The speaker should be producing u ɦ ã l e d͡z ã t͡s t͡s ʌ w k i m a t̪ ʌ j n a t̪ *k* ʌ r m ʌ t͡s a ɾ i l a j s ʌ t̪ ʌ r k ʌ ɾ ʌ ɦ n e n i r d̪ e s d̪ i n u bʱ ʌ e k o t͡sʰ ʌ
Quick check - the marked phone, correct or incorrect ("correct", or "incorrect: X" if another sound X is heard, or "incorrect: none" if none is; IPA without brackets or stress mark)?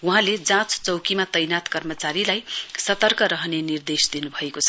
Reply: correct